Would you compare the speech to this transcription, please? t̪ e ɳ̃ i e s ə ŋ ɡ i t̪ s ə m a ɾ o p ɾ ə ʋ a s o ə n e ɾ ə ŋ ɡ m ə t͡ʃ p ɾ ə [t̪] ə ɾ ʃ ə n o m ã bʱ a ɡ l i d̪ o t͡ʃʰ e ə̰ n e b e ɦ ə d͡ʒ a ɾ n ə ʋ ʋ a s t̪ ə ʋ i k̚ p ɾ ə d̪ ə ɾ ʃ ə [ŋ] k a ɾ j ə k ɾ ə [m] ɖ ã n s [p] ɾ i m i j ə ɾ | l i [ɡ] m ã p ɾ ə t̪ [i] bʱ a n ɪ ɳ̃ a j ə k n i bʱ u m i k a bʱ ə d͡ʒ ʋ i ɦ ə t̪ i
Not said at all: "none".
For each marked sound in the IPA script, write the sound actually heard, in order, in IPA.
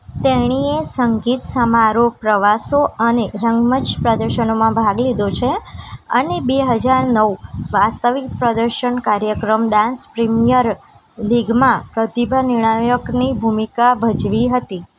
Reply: d̪, ɳ, m, p, ɡ, i

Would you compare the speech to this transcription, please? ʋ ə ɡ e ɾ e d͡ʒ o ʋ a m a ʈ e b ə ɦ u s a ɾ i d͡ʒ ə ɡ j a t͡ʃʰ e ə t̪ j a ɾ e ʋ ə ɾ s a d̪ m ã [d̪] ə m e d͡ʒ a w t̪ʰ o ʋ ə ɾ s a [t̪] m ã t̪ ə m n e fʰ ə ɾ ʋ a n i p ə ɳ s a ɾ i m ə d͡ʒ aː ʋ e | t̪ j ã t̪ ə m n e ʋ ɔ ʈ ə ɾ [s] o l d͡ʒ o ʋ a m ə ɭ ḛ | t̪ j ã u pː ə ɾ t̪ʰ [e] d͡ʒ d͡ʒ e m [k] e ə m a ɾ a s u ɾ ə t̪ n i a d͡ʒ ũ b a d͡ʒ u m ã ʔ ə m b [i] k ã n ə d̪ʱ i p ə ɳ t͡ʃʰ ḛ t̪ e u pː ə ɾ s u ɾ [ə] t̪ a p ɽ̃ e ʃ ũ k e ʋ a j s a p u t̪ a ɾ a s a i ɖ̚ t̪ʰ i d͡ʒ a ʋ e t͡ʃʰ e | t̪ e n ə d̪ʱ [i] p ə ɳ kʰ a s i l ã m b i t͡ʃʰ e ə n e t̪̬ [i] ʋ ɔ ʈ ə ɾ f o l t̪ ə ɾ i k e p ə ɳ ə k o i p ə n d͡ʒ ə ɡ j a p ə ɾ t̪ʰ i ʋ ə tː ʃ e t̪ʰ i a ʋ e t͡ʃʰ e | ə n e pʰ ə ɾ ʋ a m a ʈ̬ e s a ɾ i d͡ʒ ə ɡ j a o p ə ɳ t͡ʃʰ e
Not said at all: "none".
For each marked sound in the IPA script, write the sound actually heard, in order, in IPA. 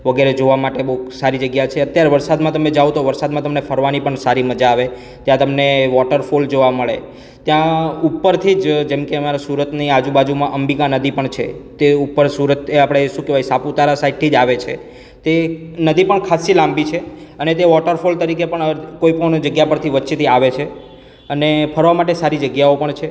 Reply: t̪, d̪, f, i, k, i, ə, i, e

